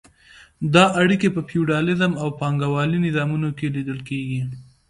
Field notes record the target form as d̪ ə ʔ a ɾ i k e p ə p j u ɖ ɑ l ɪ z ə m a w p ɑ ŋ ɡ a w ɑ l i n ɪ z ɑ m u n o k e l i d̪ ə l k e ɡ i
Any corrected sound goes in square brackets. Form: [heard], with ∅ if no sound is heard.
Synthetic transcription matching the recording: d̪ [ɑ] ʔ a [ɽ] i k e p ə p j u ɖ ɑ l ɪ z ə m a w p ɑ ŋ ɡ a w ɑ l i n ɪ z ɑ m u n o k e l i d̪ ə l k e ɡ i